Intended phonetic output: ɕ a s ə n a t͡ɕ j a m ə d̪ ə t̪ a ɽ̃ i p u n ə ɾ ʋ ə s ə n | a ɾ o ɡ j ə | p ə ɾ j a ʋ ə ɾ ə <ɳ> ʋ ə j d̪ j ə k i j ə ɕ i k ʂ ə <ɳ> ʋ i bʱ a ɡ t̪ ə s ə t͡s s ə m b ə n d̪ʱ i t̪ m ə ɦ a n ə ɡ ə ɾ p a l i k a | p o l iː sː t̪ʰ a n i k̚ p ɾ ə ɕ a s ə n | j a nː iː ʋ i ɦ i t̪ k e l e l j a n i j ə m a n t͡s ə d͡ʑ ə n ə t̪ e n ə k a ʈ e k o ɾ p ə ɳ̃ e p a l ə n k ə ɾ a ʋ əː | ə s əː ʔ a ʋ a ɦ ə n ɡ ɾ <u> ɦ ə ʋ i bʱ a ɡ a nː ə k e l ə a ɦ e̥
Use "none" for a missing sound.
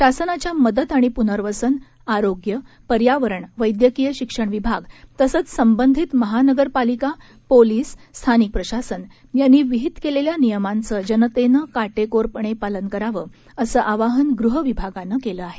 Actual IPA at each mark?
ɳ, ɳ, u

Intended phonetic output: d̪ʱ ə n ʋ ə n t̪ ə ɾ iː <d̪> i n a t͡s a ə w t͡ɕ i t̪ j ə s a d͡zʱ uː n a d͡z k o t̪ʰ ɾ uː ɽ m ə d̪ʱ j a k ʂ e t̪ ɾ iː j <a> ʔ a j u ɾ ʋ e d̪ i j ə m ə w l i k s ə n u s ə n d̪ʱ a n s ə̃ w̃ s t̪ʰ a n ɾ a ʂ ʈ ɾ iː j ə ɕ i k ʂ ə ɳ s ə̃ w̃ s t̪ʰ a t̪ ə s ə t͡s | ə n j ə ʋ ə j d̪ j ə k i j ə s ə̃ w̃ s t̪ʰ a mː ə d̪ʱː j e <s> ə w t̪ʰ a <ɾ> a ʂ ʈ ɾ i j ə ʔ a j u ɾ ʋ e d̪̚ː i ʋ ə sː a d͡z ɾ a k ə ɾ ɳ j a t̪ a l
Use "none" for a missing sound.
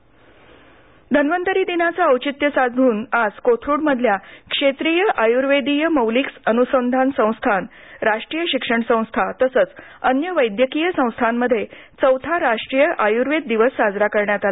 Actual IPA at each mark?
d̪, ə, t͡s, ɾ

